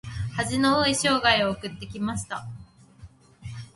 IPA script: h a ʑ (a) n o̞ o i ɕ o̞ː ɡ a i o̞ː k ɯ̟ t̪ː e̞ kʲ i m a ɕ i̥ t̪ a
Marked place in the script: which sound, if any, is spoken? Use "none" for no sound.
i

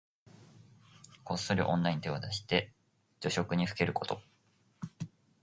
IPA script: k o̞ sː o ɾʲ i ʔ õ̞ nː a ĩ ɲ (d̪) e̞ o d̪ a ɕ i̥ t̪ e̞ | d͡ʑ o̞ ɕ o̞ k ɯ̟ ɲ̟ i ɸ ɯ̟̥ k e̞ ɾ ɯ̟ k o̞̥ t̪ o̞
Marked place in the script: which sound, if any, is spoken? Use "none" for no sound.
t̪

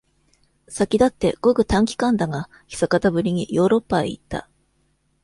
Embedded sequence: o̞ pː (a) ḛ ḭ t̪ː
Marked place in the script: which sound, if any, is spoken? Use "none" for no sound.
a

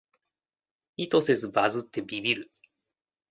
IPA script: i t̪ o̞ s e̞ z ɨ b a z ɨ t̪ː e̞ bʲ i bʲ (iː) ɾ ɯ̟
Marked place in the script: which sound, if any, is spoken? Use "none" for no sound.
i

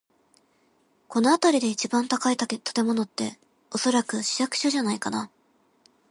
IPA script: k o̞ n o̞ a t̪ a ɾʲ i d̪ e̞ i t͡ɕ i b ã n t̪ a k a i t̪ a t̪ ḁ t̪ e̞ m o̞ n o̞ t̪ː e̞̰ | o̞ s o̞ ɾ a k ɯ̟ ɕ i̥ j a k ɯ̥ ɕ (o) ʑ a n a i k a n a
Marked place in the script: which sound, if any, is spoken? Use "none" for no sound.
o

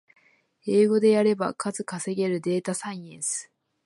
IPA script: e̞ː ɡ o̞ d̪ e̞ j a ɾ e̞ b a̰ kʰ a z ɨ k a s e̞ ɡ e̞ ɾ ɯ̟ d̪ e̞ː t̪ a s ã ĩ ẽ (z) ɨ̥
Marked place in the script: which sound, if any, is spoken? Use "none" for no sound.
s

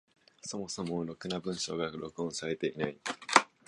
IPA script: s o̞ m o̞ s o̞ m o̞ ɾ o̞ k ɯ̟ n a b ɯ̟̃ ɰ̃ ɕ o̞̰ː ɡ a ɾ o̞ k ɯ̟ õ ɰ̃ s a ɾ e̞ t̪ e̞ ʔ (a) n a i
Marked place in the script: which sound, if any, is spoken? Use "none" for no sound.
i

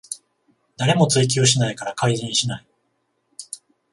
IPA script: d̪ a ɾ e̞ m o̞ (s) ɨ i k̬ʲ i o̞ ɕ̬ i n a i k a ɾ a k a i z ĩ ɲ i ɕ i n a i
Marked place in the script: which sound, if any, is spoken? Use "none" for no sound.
t͡s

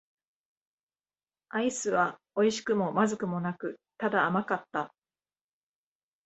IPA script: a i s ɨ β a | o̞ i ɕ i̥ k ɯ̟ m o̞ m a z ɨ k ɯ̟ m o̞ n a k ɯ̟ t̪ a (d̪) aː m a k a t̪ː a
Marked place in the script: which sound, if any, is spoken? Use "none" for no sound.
d̪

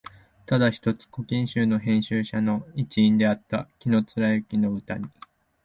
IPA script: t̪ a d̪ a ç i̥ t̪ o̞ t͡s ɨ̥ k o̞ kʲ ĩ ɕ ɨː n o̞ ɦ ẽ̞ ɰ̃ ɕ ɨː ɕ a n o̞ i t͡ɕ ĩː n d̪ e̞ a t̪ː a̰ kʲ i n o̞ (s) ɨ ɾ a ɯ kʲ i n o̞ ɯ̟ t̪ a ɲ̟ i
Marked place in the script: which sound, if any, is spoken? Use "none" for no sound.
t͡s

